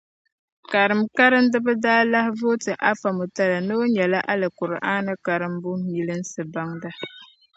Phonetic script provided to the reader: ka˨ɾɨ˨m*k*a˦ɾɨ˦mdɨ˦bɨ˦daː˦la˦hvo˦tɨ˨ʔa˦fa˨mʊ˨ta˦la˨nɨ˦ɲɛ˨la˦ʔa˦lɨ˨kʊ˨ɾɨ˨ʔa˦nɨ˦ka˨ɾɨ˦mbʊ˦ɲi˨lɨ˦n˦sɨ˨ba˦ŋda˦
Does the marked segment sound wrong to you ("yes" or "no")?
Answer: no